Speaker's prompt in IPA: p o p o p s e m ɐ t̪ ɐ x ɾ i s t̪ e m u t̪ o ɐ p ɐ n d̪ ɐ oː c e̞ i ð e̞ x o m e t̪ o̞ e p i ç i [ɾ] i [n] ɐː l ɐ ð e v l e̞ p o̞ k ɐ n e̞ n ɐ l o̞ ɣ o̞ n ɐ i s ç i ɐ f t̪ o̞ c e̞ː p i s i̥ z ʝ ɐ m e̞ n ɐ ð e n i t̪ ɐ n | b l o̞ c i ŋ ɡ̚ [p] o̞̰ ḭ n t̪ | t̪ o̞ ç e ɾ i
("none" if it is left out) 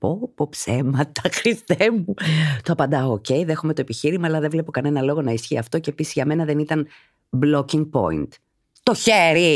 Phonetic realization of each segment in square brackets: ɾ, m, p

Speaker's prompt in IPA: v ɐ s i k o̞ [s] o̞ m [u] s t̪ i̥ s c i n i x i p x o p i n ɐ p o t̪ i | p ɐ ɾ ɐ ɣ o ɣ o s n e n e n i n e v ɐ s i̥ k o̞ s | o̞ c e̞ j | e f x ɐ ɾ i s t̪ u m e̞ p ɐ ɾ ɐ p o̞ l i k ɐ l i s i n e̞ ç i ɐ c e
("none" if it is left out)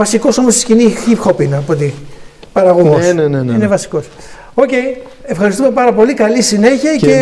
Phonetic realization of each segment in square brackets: s, o

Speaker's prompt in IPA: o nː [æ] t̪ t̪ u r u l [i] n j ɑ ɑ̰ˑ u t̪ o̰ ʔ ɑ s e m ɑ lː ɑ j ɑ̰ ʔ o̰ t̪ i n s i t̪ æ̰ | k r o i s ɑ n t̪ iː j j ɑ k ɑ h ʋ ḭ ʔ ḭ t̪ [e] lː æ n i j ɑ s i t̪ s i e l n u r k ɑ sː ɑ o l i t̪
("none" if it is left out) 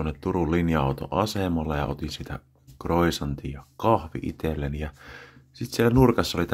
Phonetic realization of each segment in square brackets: e, i, e

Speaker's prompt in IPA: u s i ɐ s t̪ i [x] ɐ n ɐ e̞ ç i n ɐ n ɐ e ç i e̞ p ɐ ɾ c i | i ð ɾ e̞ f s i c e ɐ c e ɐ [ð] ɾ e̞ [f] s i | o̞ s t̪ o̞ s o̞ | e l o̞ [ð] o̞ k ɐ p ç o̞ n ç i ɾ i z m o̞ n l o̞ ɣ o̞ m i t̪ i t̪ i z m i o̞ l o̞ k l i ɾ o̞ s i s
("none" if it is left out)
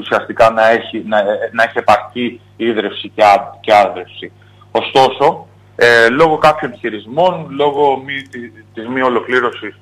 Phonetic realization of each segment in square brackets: k, ð, f, ɣ

